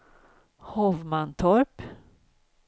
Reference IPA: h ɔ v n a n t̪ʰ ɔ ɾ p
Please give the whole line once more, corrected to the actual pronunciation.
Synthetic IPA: h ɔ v m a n t̪ʰ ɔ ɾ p